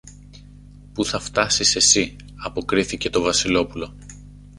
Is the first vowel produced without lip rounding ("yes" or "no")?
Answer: no